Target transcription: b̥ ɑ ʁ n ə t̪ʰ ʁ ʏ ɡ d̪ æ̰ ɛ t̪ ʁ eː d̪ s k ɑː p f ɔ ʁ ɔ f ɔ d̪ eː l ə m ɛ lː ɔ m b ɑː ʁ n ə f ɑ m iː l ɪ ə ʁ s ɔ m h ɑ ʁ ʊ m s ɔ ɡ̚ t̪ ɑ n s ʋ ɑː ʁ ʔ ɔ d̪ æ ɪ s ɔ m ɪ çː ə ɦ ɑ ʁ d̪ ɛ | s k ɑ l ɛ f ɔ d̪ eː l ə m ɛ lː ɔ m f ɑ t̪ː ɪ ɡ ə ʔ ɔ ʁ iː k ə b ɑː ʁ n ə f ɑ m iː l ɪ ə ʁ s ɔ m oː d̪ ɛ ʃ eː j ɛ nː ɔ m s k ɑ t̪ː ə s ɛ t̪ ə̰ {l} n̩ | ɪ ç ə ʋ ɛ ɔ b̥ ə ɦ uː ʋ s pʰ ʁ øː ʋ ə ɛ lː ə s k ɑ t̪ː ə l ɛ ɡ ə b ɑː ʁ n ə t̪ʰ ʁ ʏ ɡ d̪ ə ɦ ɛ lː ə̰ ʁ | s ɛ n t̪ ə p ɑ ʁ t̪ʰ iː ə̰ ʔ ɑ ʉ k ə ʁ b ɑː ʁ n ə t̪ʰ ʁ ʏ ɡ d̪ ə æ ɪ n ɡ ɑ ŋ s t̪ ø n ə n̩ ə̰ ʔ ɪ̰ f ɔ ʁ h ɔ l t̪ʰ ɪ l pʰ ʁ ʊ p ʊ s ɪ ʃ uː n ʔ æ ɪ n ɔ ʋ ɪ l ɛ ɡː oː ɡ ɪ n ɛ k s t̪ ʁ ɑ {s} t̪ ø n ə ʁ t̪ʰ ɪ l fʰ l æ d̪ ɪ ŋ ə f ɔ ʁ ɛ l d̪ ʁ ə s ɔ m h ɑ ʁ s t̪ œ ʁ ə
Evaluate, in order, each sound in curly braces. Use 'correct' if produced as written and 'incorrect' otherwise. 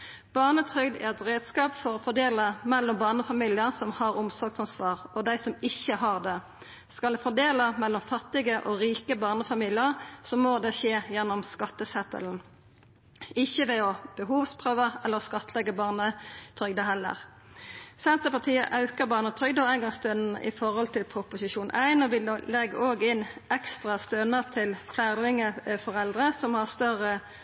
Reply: correct, correct

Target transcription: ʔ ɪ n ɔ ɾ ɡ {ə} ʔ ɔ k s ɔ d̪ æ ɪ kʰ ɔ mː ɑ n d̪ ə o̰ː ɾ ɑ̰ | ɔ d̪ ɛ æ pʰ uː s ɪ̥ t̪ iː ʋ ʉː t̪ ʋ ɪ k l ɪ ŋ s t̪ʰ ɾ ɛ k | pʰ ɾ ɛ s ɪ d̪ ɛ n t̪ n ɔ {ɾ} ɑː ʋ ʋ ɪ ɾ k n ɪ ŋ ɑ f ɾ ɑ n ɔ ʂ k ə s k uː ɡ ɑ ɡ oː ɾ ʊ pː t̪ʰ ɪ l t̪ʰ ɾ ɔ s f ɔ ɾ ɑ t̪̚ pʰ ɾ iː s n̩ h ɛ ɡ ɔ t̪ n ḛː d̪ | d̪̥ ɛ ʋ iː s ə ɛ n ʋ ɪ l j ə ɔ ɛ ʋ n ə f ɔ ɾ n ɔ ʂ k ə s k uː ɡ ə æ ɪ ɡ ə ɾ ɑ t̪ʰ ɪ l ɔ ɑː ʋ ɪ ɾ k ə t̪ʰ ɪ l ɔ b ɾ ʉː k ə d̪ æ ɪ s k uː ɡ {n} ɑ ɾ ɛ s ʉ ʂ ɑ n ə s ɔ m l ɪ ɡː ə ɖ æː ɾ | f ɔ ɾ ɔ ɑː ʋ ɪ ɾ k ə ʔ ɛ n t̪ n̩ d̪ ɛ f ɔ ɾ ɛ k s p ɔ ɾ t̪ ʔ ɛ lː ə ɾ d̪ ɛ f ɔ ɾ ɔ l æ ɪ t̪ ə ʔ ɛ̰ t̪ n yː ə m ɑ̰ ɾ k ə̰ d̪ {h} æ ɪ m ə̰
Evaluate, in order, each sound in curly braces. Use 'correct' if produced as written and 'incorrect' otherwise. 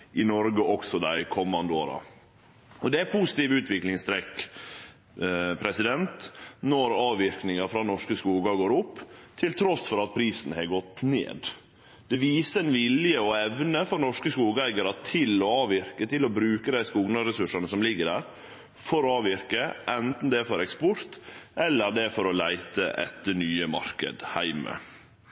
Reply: correct, correct, correct, correct

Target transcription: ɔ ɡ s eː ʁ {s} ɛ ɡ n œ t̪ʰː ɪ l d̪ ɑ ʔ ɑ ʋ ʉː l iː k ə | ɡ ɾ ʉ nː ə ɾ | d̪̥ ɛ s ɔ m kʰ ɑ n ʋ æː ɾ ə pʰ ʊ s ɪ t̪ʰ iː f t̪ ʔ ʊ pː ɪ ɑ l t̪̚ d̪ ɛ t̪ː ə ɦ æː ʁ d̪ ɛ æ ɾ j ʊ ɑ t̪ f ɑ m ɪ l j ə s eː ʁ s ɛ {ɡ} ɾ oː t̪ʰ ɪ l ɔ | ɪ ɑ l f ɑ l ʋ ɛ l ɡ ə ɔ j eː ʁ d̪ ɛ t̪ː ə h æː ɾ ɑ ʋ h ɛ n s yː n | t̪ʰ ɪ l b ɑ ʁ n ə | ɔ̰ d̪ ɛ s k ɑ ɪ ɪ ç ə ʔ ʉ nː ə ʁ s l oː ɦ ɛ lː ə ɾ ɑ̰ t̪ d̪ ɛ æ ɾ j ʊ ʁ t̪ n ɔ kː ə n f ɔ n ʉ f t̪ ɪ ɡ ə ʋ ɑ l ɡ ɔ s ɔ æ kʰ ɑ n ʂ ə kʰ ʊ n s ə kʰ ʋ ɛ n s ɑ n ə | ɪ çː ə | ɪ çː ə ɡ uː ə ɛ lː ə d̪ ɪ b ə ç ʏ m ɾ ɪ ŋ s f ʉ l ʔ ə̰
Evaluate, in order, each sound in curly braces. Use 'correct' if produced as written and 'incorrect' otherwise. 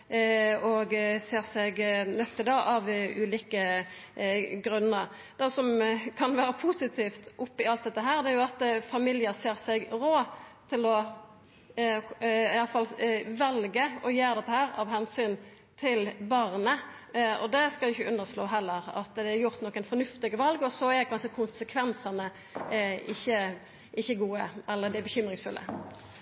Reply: correct, correct

